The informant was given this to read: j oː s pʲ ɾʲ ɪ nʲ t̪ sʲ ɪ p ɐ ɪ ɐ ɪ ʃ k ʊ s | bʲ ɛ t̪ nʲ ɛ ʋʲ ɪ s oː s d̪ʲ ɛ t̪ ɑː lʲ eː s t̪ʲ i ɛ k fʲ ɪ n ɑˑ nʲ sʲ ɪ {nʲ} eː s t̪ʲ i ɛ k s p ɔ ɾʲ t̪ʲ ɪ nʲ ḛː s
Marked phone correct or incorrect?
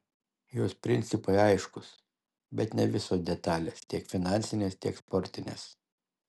correct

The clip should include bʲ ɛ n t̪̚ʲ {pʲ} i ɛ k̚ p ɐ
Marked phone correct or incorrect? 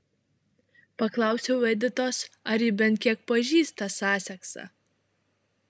incorrect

